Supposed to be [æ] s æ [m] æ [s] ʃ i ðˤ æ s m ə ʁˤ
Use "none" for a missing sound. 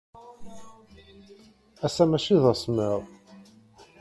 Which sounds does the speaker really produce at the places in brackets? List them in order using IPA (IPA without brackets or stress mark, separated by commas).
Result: æ, m, none